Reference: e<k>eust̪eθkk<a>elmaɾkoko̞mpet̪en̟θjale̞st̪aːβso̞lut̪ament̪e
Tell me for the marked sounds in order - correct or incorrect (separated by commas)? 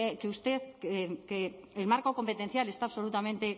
correct, incorrect